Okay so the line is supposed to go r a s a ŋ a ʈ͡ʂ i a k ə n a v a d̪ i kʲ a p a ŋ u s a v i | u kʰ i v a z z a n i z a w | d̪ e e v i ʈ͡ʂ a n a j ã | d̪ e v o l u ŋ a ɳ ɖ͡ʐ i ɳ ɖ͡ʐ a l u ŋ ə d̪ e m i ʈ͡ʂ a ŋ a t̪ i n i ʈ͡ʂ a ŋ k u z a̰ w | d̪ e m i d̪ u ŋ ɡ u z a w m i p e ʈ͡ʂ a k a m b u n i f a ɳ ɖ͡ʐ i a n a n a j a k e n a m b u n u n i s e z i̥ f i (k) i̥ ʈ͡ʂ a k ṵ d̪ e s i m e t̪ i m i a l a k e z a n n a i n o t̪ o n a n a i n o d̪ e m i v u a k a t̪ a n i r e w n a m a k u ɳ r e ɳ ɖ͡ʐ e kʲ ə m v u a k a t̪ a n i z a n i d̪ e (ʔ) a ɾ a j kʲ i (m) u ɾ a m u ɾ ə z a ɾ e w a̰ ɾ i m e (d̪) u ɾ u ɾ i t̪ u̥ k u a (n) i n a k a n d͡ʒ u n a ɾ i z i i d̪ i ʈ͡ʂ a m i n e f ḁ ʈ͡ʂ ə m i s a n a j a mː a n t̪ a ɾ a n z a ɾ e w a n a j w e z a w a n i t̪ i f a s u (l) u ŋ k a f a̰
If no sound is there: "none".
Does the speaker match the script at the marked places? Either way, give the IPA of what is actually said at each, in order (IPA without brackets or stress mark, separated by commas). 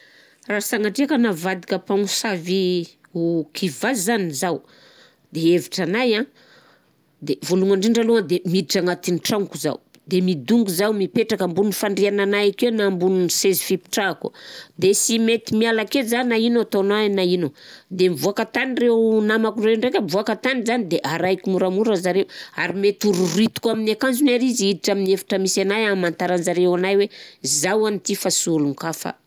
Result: p, ʔ, m, t̪, m, l